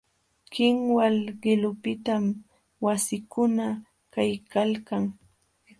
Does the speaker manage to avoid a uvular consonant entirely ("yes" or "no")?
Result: no